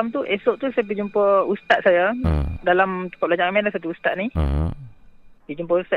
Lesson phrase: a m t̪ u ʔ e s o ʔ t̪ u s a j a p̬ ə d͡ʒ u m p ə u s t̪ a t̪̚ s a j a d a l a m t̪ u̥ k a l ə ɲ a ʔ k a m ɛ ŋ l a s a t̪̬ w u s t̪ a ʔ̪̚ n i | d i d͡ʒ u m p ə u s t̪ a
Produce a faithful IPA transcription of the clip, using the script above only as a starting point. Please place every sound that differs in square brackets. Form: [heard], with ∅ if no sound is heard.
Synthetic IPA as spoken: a m t̪ u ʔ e s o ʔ t̪ u s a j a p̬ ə d͡ʒ u m p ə u s t̪ a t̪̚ s a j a d a l a m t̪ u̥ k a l [a] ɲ a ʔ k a m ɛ [n] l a s a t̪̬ [u] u s t̪ a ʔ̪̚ n i | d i d͡ʒ u m p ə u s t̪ a